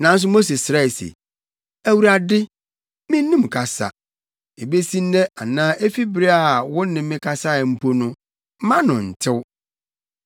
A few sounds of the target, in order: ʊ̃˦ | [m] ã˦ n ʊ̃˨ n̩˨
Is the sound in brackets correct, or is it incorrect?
correct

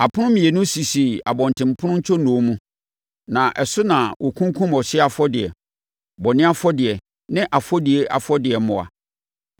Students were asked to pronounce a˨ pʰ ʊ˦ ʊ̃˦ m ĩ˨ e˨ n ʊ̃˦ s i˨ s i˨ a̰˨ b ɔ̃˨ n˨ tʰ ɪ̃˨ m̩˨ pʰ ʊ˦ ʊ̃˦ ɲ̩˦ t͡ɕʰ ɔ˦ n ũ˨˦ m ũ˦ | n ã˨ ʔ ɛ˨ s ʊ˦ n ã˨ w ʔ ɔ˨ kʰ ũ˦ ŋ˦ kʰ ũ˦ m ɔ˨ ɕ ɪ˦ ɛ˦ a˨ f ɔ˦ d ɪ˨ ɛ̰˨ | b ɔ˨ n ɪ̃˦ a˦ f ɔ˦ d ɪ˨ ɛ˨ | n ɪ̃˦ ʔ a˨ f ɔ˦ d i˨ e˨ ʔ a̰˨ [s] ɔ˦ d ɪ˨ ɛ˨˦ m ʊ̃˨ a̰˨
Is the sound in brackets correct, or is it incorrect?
incorrect: f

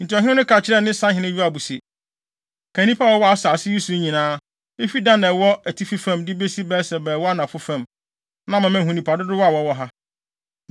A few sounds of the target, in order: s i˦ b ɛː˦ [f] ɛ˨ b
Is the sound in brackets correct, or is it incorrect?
incorrect: s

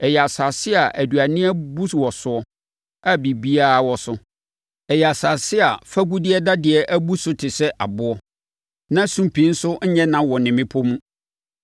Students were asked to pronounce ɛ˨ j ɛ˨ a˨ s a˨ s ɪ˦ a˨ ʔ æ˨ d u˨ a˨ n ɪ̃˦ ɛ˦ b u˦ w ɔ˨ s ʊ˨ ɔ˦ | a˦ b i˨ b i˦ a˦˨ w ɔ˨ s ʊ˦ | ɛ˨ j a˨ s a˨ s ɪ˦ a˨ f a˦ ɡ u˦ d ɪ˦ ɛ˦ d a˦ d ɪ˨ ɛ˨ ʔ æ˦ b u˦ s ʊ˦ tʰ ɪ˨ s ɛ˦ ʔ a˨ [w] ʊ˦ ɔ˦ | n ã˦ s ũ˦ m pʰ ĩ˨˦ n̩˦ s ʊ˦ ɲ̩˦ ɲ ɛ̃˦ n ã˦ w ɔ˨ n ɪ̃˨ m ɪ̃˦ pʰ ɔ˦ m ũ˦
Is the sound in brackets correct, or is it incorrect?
incorrect: b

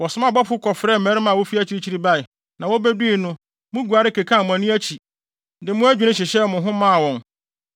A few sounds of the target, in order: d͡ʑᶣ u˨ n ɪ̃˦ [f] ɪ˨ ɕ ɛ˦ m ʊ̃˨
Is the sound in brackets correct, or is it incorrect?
incorrect: ɕ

